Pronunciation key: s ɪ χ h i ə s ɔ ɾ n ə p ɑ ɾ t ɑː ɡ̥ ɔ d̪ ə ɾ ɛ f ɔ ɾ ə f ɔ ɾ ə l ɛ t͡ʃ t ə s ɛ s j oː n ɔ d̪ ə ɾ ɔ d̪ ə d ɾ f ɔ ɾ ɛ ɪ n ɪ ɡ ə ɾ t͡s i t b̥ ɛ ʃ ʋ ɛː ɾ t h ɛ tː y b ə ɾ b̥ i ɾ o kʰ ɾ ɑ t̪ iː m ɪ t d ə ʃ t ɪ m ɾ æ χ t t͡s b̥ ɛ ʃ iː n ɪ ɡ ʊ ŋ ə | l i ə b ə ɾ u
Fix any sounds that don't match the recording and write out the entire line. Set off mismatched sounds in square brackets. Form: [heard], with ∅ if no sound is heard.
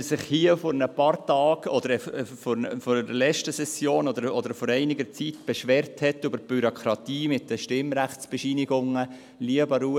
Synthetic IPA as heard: s ɪ χ h i ə [f] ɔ ɾ n ə p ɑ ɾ t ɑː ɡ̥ ɔ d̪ ə ɾ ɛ f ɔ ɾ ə f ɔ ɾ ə l ɛ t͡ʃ t ə s ɛ s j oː n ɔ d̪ ə ɾ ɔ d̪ ə [∅] ɾ f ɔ ɾ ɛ ɪ n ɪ ɡ ə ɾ t͡s i t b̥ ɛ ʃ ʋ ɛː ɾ t h ɛ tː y b ə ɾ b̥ [y] ɾ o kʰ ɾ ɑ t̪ iː m ɪ t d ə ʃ t ɪ m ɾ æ χ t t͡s b̥ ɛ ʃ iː n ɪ ɡ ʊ ŋ ə | l i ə b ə ɾ u

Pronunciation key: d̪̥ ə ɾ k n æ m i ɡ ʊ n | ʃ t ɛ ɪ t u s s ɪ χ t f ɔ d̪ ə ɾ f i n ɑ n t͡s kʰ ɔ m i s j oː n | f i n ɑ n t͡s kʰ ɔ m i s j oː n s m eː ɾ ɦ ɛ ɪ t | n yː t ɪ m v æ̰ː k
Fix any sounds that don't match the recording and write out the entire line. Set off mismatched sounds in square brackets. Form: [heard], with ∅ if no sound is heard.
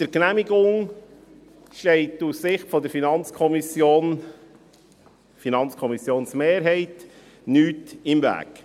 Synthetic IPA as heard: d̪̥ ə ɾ k n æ m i ɡ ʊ [ŋ] | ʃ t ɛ ɪ t u s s ɪ χ t f ɔ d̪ ə ɾ f i n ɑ n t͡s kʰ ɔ m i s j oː n | f i n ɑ n t͡s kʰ ɔ m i s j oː n s m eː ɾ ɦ ɛ ɪ t | n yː t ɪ m v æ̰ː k

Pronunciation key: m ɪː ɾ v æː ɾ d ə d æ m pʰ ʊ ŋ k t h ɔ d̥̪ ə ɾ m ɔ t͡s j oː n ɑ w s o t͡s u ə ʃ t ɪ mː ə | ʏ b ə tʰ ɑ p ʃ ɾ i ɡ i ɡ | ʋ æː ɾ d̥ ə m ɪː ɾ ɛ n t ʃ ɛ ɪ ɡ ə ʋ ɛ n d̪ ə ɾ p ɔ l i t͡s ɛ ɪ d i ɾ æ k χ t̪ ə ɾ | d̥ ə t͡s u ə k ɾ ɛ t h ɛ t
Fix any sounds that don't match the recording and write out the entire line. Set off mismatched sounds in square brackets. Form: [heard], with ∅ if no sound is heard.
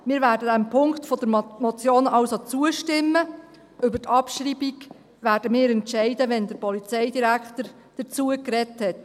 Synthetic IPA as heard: m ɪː ɾ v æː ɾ d ə d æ m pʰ ʊ ŋ k t [f] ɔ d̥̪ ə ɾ m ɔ t͡s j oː n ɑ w s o t͡s u ə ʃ t ɪ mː ə | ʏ b ə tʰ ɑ p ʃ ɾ i [b] i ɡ | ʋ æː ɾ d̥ ə m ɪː ɾ ɛ n t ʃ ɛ ɪ [d] ə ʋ ɛ n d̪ ə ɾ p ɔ l i t͡s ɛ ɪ d i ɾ æ k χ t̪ ə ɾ | d̥ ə t͡s u ə k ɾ ɛ t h ɛ t

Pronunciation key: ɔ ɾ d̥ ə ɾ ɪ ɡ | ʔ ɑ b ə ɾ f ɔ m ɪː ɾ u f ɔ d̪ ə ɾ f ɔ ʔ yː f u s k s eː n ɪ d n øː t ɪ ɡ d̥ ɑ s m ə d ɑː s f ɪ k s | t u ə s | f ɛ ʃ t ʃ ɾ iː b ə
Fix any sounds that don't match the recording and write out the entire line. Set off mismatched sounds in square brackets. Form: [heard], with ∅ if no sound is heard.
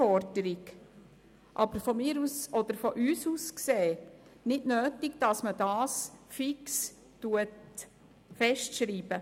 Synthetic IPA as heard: ɔ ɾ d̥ ə ɾ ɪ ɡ | ʔ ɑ b ə ɾ f ɔ m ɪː ɾ u [s] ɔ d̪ ə ɾ f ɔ ʔ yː [s] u s k s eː n ɪ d n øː t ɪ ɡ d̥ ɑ s m ə d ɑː s f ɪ k s | t u ə [t] | f ɛ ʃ t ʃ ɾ iː b ə

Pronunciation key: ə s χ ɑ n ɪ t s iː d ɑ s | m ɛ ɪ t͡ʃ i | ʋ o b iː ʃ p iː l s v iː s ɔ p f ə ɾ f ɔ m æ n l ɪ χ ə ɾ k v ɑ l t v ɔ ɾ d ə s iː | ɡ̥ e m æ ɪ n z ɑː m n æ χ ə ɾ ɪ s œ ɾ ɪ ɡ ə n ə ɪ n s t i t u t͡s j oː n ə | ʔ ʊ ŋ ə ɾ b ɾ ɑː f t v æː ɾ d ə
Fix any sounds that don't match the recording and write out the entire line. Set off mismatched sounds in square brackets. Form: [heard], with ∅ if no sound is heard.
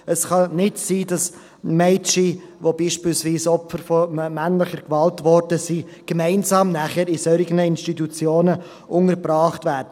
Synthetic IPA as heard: ə s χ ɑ n ɪ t s iː d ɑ s | m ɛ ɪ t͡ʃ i | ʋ o b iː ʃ p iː l s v iː s ɔ p f ə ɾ f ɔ m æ n l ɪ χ ə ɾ k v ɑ l t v ɔ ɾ d ə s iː | ɡ̥ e m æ ɪ n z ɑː m n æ χ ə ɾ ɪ s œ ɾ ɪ ɡ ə n ə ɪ n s t i t u t͡s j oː n ə | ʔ ʊ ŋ ə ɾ b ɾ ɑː [χ] t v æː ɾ d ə

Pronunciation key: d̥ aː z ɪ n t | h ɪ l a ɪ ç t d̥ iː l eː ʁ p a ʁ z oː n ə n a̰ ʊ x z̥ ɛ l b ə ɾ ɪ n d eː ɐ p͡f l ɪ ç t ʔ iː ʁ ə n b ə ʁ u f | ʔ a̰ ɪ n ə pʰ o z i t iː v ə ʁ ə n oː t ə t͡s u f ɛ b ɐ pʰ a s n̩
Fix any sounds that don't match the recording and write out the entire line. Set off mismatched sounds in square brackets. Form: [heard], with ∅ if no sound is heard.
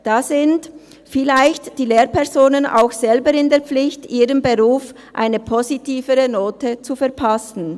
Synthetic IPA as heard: d̥ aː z ɪ n t | [f] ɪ l a ɪ ç t d̥ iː l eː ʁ p [ɛ] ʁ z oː n ə n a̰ ʊ x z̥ ɛ l b ə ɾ ɪ n d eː ɐ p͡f l ɪ ç t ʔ iː ʁ ə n b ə ʁ [uː] f | ʔ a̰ ɪ n ə pʰ o z i t iː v ə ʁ ə n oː t ə t͡s u f ɛ [∅] ɐ pʰ a s n̩

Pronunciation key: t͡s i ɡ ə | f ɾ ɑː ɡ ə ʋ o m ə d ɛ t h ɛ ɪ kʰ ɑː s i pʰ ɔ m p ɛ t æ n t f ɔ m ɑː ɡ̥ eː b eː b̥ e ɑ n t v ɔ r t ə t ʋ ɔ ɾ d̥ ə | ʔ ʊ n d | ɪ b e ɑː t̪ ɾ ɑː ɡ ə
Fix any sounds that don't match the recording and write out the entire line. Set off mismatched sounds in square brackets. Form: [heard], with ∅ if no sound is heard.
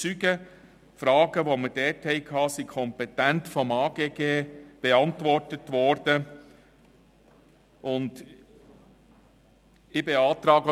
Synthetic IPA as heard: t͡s [y] ɡ ə | f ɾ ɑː ɡ ə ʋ o m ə d ɛ t h ɛ ɪ kʰ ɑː s i [kʰ] ɔ m p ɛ t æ n t f ɔ m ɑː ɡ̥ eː [ɡ] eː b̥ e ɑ n t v ɔ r t ə t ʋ ɔ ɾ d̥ ə | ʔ ʊ n d | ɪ b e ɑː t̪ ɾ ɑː ɡ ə

